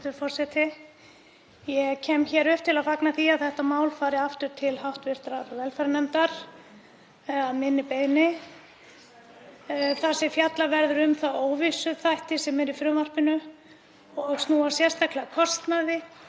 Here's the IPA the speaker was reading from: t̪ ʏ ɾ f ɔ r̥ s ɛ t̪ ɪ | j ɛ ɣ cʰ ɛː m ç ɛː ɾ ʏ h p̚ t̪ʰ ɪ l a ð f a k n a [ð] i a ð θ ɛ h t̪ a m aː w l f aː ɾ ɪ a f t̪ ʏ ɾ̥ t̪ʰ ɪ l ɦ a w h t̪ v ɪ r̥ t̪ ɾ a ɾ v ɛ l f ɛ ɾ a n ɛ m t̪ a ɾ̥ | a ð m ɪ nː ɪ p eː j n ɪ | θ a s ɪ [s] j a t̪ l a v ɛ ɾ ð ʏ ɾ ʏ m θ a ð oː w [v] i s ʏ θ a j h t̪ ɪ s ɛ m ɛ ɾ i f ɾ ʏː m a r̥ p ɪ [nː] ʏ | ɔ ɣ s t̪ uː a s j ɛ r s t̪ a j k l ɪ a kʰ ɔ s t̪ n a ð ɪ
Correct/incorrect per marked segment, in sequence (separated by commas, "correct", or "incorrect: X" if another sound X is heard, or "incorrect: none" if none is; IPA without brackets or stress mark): incorrect: θ, incorrect: f, correct, incorrect: n